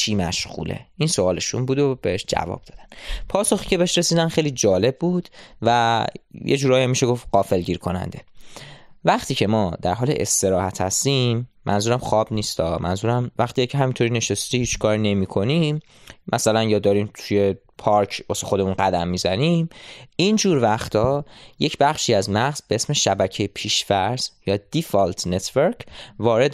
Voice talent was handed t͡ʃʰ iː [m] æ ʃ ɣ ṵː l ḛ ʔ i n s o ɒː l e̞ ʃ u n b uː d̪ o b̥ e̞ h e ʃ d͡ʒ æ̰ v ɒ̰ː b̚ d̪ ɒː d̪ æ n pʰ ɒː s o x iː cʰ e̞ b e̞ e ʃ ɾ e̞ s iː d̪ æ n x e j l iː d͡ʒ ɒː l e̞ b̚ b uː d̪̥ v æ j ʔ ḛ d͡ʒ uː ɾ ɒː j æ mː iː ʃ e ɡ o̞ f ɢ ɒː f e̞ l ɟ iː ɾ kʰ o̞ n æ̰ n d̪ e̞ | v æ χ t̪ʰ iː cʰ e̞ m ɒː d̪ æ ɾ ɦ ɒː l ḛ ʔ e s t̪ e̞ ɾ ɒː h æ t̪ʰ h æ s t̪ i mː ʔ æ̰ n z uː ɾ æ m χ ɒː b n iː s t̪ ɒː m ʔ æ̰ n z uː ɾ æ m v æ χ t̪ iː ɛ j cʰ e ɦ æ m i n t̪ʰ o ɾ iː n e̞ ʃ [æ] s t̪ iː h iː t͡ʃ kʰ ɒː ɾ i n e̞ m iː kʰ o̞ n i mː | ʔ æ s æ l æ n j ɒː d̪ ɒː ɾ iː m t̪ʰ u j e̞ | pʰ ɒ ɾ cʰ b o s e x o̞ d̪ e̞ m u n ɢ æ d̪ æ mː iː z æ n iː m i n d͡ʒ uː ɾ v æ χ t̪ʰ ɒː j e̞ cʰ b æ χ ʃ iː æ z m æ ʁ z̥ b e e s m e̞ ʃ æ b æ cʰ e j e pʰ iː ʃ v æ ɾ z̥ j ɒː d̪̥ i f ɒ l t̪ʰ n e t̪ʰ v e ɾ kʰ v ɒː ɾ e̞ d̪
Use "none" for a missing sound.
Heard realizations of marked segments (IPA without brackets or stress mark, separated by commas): m, e